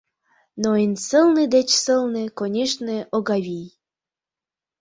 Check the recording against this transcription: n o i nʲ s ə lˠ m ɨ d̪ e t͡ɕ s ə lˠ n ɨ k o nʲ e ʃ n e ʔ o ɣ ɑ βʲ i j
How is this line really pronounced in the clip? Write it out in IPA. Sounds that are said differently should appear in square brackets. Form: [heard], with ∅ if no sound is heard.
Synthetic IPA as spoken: n o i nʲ s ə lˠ [n] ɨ d̪ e t͡ɕ s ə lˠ n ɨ k o nʲ e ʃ n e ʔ o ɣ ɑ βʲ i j